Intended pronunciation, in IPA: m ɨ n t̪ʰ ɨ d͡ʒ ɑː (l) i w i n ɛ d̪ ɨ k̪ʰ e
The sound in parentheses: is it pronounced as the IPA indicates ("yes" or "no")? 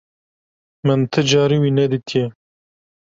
no